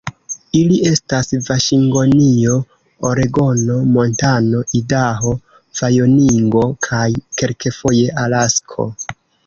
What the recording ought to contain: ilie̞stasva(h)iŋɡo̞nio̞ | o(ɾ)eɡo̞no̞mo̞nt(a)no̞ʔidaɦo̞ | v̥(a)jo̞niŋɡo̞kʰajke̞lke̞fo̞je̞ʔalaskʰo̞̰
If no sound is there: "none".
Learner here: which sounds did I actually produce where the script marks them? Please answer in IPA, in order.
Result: ʃ, ɾ, a, a

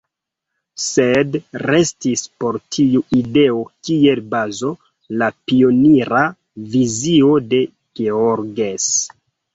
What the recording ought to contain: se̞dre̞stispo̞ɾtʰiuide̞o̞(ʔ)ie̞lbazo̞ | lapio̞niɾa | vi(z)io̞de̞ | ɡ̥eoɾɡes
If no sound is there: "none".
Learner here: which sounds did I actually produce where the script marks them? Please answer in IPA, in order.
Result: k, z

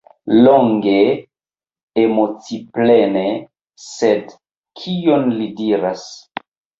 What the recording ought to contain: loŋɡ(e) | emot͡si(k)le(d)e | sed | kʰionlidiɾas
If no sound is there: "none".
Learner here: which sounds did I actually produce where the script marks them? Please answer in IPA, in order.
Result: e, p, n

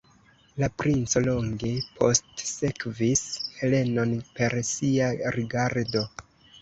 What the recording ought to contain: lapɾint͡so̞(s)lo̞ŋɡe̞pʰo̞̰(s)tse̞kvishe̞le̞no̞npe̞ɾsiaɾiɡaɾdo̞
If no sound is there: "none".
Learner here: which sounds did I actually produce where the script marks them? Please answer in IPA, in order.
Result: none, s

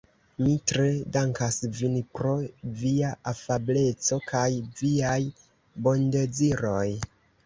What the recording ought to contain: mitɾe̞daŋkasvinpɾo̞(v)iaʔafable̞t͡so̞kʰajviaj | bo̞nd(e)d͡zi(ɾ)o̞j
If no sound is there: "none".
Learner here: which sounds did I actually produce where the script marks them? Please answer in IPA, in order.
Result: v, e, ɾ

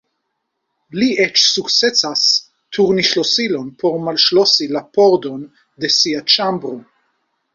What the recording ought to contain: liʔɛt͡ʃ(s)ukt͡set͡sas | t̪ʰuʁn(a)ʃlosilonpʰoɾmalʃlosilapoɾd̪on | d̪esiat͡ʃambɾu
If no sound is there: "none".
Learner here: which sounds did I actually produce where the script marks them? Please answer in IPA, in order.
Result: s, i

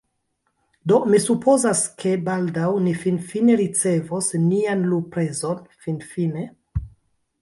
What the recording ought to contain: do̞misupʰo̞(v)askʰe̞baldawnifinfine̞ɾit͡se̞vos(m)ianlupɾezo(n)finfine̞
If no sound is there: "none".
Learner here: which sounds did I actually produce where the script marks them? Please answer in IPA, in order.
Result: z, n, n

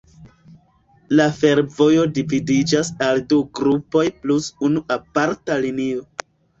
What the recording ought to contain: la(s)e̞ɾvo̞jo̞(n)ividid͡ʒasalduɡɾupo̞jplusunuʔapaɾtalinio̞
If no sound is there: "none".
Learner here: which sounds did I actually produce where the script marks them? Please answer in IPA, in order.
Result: f, d

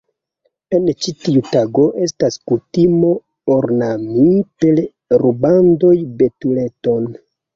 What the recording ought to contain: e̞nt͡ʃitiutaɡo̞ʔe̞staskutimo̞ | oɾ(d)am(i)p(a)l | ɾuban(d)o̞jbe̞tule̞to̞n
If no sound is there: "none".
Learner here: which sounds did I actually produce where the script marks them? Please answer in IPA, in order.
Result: n, i, e, d

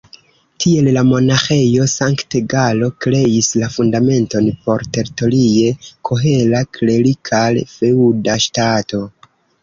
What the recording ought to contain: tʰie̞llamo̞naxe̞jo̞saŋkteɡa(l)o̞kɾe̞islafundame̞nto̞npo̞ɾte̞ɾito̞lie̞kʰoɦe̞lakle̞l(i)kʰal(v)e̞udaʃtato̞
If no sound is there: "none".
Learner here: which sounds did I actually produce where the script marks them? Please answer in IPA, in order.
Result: l, i, f

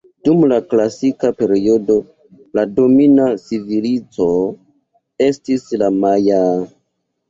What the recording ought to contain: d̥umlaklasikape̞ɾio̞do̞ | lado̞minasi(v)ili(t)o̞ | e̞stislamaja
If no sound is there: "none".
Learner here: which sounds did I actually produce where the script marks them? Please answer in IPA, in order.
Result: v, t͡s

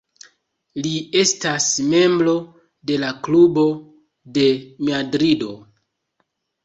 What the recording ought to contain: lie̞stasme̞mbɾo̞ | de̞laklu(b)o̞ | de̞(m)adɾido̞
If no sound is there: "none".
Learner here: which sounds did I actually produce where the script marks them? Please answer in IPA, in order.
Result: b, m

